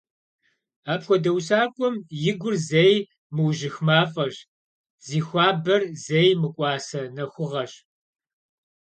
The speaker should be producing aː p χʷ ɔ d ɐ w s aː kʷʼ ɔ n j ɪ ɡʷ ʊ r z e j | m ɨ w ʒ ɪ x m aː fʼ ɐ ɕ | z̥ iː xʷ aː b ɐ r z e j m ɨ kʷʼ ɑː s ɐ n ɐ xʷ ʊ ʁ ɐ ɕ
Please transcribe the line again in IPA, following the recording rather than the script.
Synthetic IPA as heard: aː p xʷ ɔ d ɐ w s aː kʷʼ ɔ m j ɪ ɡʷ ʊ r z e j | m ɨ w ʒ ɪ x m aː fʼ ɐ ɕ | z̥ iː xʷ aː b ɐ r z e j m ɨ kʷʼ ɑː s ɐ n ɐ xʷ ʊ ʁ ɐ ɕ